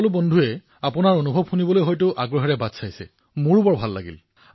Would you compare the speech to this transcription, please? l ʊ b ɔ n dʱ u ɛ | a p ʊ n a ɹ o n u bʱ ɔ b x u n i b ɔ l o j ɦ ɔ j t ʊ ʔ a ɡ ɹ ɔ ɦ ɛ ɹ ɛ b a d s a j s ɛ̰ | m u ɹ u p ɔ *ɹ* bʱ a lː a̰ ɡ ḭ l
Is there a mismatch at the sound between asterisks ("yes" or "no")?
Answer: no